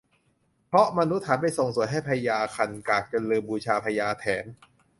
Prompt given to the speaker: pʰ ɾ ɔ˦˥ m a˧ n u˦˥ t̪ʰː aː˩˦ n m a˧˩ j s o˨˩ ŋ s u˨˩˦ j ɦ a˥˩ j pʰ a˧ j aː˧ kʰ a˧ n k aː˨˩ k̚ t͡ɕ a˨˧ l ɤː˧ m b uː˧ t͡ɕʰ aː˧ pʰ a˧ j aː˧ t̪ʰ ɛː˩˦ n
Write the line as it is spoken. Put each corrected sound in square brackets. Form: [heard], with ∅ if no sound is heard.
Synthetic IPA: pʰ ɾ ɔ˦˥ m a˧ n u˦˥ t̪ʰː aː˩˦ n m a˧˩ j s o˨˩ ŋ s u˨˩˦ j ɦ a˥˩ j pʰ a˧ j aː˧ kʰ a˧ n k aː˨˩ k̚ t͡ɕ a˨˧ l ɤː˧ m b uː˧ t͡ɕʰ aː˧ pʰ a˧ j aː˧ t̪ʰ ɛː˩˦ n